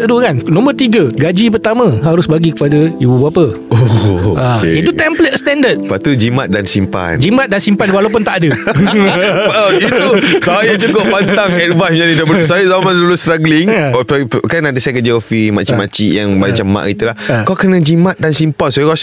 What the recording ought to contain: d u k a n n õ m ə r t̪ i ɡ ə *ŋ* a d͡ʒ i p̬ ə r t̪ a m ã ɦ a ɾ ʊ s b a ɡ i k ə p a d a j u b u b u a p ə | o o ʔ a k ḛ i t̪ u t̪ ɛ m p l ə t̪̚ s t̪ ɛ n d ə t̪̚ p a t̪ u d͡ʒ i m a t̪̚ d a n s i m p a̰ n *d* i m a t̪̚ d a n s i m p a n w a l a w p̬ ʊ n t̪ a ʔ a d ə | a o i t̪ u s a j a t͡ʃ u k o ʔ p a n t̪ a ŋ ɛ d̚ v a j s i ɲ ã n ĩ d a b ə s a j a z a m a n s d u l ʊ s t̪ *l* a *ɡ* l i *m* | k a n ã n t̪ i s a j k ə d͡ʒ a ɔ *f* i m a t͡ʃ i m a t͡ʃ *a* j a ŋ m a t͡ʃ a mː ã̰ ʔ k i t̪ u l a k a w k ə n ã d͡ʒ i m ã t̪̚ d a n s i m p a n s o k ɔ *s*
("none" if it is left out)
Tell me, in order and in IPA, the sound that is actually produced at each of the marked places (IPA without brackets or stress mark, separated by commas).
ɡ, d͡ʒ, ɾ, ɡ, ŋ, f, i, s